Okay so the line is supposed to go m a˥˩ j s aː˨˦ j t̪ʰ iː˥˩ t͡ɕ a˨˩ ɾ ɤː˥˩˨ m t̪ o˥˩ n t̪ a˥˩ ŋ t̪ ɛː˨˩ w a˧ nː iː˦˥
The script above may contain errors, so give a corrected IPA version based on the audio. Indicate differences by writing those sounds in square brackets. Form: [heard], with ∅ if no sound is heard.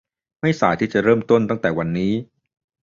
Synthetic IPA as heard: m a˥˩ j s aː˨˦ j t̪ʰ iː˥˩ t͡ɕ a˨˩ ɾ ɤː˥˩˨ m t̪ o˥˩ n t̪ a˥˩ ŋ t̪ ɛː˨˩ w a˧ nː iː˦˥